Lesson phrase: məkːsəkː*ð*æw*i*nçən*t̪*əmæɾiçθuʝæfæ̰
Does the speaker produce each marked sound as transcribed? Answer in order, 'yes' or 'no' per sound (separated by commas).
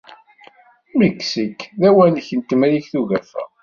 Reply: yes, no, yes